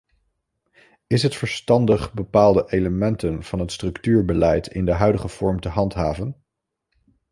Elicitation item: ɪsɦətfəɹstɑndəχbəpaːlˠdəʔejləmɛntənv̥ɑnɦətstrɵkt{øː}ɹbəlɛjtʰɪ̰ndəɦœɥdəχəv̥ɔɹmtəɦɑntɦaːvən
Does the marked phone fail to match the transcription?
yes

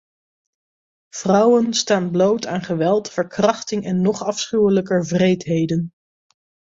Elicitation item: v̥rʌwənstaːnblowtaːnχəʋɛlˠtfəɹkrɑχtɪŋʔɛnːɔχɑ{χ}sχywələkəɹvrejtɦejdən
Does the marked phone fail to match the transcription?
yes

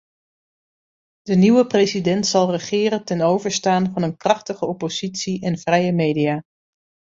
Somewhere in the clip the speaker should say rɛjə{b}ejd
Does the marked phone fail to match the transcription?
yes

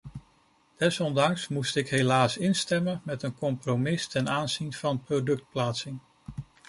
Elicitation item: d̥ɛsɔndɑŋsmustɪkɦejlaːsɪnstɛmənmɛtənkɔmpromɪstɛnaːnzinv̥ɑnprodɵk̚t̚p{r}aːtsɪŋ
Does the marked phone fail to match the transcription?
yes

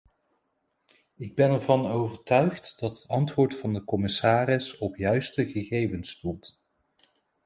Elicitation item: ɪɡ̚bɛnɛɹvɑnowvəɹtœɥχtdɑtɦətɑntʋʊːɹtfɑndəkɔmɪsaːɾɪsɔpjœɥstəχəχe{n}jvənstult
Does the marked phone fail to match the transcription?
yes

